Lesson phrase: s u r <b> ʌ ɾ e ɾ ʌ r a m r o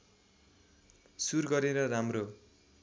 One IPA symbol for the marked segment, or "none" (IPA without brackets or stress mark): ɡ